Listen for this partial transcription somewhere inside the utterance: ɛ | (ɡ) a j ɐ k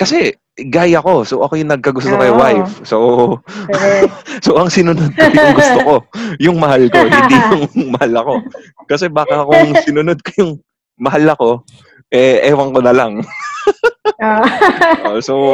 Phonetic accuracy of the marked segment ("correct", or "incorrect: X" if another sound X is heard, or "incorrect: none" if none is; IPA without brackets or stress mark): correct